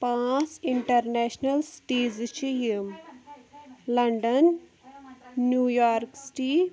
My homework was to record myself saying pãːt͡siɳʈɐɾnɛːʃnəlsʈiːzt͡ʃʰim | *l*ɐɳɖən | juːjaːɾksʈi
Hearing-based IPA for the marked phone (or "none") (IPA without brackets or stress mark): l